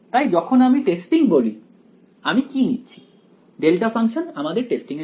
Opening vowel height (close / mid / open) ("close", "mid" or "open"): open